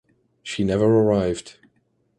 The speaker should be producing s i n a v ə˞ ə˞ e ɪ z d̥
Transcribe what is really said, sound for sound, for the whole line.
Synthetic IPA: ʃ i n ɛ v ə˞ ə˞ a ɪ v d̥